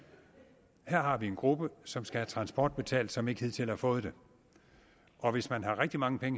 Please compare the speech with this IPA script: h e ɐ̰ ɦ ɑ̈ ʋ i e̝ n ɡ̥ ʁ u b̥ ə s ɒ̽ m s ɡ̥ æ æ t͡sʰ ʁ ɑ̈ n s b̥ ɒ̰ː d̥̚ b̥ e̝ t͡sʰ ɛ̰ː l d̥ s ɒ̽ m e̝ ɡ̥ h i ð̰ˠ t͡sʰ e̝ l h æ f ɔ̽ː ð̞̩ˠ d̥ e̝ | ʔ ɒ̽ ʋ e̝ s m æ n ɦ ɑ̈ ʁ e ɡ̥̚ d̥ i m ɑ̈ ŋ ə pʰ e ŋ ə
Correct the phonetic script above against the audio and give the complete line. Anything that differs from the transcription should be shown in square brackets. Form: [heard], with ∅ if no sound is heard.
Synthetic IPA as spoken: h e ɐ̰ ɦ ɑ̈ ʋ i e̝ n ɡ̥ ʁ u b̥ ə s ɒ̽ m s ɡ̥ æ æ t͡sʰ ʁ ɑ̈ n s b̥ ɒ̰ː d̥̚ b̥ e̝ t͡sʰ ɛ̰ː l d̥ s ɒ̽ m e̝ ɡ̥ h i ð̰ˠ t͡sʰ e̝ l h æ f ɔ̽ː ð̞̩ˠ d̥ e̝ | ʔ ɒ̽ ʋ e̝ s m æ n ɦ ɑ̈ ʁ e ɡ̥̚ d̥ i m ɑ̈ ŋ ə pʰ e ŋ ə